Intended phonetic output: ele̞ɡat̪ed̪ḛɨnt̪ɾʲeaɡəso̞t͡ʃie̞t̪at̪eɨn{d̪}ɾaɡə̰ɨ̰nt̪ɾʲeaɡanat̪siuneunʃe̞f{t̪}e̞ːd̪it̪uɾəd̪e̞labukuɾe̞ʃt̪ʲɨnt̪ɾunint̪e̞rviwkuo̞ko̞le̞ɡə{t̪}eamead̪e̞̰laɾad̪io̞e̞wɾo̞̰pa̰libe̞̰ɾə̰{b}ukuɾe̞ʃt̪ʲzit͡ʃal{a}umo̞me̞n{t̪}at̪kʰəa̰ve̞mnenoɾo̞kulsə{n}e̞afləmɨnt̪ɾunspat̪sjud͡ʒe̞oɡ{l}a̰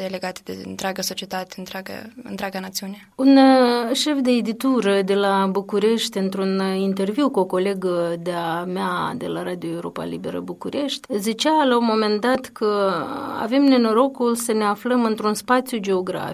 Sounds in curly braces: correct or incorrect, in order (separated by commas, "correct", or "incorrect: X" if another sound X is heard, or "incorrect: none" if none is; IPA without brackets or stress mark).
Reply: incorrect: t̪, incorrect: d̪, incorrect: d̪, correct, correct, incorrect: d̪, correct, incorrect: ɾ